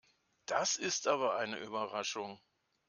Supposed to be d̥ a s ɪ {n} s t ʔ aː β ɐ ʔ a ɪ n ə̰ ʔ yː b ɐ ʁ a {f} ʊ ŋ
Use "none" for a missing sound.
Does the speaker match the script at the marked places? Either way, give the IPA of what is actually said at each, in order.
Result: none, ʃ

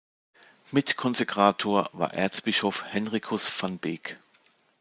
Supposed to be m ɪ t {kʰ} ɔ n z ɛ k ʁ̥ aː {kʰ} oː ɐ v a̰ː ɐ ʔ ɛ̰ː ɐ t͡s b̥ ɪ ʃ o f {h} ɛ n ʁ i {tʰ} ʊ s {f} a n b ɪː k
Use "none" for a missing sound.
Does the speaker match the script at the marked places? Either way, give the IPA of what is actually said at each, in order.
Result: kʰ, tʰ, h, kʰ, f

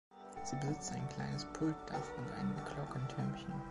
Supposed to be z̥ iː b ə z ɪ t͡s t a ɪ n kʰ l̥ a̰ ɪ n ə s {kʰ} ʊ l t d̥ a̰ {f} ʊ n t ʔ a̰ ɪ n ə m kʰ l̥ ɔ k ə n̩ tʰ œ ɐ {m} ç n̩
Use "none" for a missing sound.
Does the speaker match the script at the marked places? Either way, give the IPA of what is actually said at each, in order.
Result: pʰ, f, m

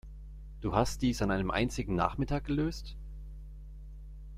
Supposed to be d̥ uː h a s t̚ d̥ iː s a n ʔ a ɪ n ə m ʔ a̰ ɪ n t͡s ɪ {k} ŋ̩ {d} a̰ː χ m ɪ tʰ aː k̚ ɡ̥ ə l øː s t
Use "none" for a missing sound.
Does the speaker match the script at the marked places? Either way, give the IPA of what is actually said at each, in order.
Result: ɡ, n

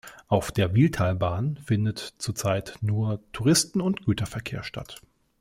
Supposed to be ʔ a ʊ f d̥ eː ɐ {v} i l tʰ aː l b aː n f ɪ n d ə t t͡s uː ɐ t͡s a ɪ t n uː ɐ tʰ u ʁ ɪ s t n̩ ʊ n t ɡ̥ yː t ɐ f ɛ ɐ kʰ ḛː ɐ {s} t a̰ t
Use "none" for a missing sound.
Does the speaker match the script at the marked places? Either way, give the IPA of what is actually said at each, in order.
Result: v, ʃ

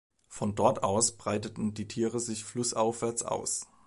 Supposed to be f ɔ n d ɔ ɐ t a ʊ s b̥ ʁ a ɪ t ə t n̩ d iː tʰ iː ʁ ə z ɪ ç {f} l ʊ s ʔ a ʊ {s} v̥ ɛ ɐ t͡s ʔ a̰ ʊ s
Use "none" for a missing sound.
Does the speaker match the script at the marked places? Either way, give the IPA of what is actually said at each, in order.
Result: f, f

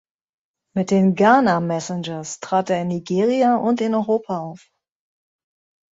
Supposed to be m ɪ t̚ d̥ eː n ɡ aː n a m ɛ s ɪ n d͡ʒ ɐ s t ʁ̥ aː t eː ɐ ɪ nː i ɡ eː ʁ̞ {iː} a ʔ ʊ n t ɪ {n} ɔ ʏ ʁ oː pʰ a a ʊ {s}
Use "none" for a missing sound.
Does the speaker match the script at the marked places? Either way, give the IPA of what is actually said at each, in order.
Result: i, n, f

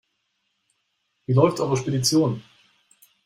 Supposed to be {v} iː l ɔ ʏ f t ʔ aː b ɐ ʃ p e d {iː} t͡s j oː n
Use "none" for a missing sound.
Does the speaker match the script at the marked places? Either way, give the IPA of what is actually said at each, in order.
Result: v, i

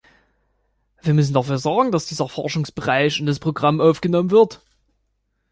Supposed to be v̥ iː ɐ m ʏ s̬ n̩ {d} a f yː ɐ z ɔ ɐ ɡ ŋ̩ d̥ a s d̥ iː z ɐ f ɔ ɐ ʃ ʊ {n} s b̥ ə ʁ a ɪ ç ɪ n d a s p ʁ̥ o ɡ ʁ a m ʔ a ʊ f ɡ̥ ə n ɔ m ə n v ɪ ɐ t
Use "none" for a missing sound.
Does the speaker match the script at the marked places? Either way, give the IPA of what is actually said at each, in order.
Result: d, ŋ

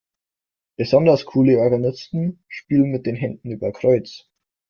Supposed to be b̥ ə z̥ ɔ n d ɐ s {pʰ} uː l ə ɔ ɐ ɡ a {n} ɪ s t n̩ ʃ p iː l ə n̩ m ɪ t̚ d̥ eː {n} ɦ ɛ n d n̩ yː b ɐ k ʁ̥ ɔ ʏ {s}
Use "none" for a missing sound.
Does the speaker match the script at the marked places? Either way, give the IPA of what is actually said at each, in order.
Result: kʰ, n, n, t͡s

